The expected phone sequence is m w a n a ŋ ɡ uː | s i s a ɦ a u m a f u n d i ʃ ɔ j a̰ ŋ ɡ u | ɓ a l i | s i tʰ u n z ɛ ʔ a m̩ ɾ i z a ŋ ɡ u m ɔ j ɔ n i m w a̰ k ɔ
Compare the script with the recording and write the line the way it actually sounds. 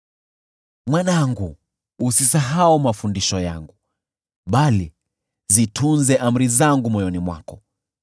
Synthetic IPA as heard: m w a n a ŋ ɡ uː | s i s a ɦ a u m a f u n d i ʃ ɔ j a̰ ŋ ɡ u | ɓ a l i | z i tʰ u n z ɛ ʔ a m̩ ɾ i z a ŋ ɡ u m ɔ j ɔ n i m w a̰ k ɔ